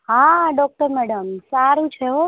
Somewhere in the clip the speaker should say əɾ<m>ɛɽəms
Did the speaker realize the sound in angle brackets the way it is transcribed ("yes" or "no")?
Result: yes